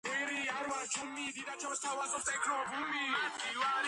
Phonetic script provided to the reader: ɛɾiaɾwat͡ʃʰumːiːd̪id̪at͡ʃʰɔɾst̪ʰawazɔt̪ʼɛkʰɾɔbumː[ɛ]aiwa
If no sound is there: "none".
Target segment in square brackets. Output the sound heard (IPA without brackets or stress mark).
i